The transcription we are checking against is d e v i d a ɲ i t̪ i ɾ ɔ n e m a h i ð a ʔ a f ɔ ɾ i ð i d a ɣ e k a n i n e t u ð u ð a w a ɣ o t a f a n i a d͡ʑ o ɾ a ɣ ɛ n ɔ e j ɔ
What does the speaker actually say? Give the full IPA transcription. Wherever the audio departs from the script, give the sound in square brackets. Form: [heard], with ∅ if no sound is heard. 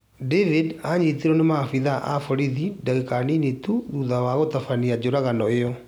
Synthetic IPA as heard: d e v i d a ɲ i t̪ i ɾ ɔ n e m a [f] i ð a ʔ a f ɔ ɾ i ð i d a ɣ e k a n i n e t u ð u ð a w a ɣ o t a f a n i a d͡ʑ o ɾ a ɣ [a] n ɔ e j ɔ